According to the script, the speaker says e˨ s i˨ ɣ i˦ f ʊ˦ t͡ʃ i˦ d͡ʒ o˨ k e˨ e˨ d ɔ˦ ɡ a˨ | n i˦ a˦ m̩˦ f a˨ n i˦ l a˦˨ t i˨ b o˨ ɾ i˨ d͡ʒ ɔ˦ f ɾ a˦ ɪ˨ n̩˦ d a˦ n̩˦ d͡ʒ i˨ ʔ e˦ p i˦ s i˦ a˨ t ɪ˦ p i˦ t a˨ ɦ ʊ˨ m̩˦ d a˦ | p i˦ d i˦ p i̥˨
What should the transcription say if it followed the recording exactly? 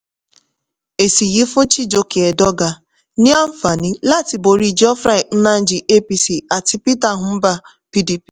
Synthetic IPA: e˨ s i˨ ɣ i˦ f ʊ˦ t͡ʃ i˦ d͡ʒ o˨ k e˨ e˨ d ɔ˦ ɡ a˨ | n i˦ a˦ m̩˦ f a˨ n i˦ l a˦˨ t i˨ b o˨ ɾ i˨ d͡ʒ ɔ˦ f ɾ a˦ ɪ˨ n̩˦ n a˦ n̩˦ d͡ʒ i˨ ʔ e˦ p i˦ s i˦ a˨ t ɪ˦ p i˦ t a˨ ɦ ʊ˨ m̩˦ b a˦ | p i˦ d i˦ p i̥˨

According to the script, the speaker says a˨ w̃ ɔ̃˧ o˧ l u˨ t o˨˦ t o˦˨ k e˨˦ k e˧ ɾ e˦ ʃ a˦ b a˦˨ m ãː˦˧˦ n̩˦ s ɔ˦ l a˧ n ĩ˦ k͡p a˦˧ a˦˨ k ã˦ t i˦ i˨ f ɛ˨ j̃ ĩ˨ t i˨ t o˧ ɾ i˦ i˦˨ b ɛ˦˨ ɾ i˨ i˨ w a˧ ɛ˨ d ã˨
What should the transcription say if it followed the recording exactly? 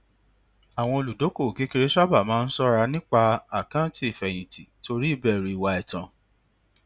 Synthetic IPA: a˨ w̃ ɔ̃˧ o˧ l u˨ d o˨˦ k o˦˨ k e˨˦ k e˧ ɾ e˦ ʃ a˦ b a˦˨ m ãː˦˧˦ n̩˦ s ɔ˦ ɾ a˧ n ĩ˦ k͡p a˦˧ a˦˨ k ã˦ t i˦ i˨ f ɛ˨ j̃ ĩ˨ t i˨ t o˧ ɾ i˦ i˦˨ b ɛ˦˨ ɾ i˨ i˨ w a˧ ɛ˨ t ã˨

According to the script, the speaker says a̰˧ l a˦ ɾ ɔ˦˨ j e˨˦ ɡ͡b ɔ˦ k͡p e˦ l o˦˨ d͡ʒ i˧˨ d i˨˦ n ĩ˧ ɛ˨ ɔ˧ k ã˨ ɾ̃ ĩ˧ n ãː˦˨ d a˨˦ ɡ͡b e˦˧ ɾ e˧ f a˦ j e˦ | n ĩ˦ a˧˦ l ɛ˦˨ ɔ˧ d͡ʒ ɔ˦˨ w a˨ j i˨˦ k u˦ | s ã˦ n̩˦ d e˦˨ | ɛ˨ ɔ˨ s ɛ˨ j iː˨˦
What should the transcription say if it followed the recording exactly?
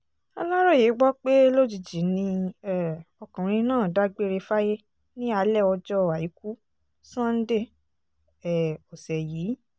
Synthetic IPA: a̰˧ l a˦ ɾ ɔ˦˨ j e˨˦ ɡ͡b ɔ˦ k͡p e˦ l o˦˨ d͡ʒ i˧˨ d͡ʒ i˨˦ n ĩ˧ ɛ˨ ɔ˧ k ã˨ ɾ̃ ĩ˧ n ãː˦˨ d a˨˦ ɡ͡b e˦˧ ɾ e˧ f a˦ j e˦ | n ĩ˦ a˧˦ l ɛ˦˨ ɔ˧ d͡ʒ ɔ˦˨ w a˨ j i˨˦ k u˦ | s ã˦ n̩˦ d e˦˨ | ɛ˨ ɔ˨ s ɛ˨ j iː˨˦

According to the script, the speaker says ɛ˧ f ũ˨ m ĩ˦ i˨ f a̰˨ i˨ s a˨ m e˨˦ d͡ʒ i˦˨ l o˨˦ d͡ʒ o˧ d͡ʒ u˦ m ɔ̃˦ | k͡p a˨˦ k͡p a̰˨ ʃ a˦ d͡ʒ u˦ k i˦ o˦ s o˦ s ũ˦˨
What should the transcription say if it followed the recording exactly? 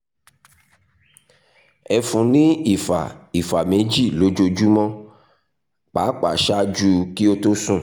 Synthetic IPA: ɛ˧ f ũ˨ n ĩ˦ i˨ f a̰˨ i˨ f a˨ m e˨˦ d͡ʒ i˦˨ l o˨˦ d͡ʒ o˧ d͡ʒ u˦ m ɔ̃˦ | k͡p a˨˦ k͡p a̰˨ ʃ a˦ d͡ʒ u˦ k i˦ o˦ t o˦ s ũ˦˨

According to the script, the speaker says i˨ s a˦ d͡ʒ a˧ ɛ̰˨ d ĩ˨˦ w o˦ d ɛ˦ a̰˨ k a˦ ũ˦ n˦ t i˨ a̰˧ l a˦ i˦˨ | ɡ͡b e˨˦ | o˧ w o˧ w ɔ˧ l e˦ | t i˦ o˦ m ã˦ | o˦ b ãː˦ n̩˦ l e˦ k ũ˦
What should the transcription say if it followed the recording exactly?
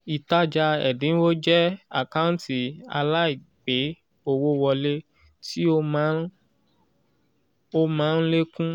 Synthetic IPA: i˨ t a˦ d͡ʒ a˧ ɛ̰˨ d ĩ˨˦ w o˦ d͡ʒ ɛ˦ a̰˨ k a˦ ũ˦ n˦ t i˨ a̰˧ l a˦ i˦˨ | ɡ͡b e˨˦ | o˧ w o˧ w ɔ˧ l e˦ | t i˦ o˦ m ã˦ | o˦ m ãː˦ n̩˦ l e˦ k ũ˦

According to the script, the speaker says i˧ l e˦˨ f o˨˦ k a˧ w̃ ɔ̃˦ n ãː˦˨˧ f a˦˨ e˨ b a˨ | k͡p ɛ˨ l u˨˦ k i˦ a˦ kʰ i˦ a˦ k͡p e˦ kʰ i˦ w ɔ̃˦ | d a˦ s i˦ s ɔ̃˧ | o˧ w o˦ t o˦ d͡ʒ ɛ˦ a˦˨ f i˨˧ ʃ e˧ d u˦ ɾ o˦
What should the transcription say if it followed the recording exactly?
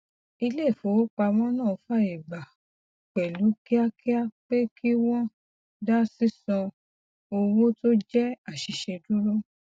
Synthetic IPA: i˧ l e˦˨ f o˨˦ k͡p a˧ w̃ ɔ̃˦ n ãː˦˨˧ f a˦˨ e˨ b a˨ | k͡p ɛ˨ l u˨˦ k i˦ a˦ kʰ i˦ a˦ k͡p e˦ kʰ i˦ w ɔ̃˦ | d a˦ s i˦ s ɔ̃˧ | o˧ w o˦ t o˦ d͡ʒ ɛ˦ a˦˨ ʃ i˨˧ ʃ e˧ d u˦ ɾ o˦

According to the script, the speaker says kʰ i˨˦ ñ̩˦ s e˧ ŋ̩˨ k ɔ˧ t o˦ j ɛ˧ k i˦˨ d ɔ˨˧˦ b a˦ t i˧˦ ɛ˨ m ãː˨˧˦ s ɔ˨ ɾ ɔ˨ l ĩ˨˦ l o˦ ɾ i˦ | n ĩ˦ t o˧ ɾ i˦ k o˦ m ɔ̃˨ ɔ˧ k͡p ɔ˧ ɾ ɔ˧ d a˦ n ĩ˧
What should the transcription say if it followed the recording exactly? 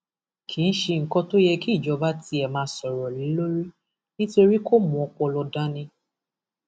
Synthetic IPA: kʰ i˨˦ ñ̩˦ ʃ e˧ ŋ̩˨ k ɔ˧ t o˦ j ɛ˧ k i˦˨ d͡ʒ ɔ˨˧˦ b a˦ t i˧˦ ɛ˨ m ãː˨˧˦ s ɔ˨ ɾ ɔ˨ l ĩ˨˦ l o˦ ɾ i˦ | n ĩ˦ t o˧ ɾ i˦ k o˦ m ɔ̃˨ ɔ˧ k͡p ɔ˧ l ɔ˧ d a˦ n ĩ˧

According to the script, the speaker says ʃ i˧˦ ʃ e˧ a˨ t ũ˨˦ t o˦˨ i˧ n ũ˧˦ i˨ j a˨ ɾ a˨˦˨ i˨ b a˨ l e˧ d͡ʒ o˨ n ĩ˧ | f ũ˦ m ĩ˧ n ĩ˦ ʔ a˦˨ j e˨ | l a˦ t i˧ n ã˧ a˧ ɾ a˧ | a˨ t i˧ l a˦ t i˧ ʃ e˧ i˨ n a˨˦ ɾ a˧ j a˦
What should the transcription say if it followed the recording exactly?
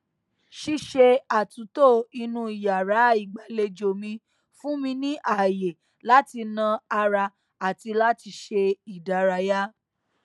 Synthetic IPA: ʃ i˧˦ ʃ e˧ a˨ t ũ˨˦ t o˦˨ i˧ n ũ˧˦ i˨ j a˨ ɾ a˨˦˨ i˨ ɡ͡b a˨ l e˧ d͡ʒ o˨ m ĩ˧ | f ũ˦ m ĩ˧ n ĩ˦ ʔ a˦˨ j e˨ | l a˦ t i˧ n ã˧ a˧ ɾ a˧ | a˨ t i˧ l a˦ t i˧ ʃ e˧ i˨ d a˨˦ ɾ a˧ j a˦

